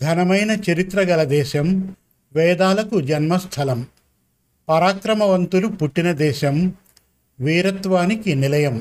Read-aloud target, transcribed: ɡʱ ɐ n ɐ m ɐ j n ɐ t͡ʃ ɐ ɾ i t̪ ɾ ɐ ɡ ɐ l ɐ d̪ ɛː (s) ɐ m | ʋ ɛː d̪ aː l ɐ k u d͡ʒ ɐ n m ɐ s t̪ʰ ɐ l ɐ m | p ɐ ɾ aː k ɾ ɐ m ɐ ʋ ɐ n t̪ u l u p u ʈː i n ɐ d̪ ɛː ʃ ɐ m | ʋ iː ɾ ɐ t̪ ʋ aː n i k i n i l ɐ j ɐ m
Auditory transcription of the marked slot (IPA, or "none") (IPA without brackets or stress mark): ʃ